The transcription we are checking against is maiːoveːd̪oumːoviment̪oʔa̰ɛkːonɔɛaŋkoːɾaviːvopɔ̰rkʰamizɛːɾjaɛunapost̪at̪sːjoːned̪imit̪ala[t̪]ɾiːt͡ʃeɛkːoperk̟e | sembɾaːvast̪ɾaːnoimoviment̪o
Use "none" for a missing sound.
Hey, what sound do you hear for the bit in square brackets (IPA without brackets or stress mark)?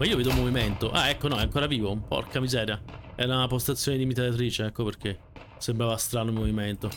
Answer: t̪